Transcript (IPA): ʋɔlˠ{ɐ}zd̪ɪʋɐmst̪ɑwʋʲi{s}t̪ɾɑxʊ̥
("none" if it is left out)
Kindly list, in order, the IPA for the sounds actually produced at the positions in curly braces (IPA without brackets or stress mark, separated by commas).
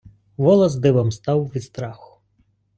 ɐ, s